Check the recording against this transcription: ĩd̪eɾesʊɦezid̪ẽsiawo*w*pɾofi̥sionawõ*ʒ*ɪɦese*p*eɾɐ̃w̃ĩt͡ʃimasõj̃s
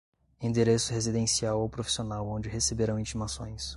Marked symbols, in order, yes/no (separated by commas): yes, no, no